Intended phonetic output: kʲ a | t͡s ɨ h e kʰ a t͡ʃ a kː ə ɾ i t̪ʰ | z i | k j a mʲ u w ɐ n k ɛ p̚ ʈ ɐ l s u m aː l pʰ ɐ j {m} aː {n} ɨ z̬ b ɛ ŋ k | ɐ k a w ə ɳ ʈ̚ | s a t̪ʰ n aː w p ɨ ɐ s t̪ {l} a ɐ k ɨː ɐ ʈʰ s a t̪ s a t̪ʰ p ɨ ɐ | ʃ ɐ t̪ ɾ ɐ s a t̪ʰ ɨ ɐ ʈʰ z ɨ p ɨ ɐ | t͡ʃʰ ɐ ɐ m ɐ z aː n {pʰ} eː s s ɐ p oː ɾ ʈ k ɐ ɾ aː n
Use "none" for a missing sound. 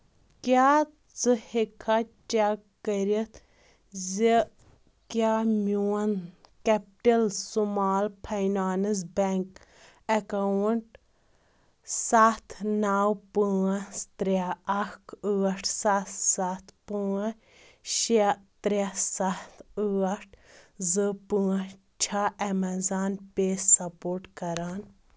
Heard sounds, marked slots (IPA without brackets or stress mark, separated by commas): n, n, ɾ, p